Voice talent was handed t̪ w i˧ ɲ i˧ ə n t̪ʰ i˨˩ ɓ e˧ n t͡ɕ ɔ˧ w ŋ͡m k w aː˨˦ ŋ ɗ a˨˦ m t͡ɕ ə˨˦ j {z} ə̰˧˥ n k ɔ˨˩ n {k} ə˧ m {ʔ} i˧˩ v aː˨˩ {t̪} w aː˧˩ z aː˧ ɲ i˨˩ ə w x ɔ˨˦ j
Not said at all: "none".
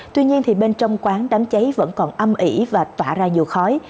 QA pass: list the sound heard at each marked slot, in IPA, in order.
v, ʔ, ʔ, t̪

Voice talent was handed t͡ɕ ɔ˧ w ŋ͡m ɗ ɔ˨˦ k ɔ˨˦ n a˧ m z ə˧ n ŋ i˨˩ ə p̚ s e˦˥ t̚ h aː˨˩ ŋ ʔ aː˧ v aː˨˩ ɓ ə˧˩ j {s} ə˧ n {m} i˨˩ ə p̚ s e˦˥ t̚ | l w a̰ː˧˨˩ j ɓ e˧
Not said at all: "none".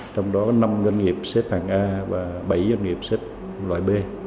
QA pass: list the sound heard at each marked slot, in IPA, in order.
z, ŋ

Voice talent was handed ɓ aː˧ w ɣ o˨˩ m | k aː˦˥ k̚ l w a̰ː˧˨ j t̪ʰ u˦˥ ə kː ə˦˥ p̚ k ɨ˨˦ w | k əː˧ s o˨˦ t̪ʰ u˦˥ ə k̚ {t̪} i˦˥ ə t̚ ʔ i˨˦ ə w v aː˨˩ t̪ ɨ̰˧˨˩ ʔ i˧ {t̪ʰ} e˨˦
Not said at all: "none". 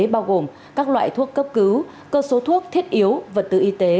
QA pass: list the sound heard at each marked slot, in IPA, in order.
t̪ʰ, t̪

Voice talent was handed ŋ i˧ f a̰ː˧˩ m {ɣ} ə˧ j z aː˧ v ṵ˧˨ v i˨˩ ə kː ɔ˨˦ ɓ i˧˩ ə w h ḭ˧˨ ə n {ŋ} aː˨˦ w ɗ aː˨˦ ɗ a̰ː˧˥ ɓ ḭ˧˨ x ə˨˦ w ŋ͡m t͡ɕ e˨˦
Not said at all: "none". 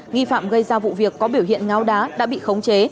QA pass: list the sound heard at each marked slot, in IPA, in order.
ɣ, ŋ

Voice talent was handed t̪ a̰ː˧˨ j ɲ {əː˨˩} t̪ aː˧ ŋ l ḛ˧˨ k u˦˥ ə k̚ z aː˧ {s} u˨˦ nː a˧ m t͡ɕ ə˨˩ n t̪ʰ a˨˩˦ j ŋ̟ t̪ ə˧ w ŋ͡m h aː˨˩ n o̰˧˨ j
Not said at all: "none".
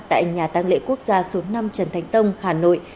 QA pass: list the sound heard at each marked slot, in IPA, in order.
aː˨˩, s

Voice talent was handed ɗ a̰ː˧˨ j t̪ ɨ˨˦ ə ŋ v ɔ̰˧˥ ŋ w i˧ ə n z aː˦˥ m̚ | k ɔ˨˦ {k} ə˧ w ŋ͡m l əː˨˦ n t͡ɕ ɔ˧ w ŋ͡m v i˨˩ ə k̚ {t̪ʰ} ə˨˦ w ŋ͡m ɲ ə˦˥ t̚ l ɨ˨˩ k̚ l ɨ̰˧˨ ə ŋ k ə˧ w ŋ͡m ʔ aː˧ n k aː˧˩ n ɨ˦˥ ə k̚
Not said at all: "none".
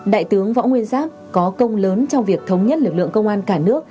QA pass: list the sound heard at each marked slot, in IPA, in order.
k, t̪ʰ

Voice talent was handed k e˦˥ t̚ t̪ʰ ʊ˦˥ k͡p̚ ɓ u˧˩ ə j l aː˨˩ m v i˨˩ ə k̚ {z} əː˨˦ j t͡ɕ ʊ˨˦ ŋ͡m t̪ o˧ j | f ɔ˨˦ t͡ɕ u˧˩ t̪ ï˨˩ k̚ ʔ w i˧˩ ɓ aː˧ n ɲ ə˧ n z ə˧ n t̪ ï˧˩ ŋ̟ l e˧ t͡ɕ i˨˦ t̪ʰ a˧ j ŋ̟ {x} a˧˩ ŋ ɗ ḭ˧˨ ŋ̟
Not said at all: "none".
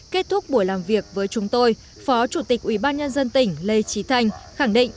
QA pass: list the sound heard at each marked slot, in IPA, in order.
v, x

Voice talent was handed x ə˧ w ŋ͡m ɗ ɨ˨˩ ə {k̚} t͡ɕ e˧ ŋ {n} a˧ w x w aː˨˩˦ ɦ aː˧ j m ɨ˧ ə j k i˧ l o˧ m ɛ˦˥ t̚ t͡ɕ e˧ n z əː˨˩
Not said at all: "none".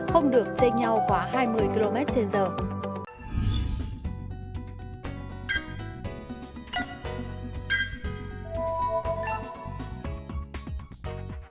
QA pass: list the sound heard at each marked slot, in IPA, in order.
k̚, ɲ

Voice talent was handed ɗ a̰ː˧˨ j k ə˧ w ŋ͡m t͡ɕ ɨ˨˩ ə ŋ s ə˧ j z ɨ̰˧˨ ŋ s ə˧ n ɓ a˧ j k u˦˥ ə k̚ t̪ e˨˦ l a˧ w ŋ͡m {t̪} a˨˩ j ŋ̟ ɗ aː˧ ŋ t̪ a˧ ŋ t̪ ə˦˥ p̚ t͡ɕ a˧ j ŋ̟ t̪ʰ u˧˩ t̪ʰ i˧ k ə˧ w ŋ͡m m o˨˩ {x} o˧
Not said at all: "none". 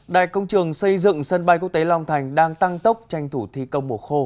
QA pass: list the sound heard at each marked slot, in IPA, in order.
t̪ʰ, x

